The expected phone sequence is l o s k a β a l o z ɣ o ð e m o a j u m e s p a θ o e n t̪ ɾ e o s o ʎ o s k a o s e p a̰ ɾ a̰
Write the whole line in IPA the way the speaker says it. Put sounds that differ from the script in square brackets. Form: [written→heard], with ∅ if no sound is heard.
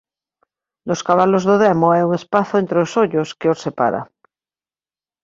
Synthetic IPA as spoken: l o s k a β a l o z [ɣ→ð] o ð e m o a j u [m→ŋ] e s p a θ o e n t̪ ɾ e o s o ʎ o s k [a→e] o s e p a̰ ɾ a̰